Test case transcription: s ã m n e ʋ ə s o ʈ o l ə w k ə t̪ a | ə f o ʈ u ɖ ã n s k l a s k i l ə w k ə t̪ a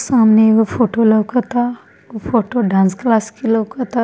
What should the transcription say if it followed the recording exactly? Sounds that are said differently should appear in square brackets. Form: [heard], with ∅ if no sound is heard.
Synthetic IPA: s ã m n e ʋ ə [f] o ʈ o l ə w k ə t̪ a | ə f o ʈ [o] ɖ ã n s k l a s k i l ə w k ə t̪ a